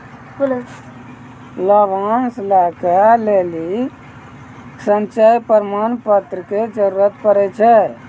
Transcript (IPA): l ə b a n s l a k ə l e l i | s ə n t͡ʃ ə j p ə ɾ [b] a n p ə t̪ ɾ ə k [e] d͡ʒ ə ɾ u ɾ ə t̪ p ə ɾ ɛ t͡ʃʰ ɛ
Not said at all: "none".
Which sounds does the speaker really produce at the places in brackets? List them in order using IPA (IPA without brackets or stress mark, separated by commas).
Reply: m, e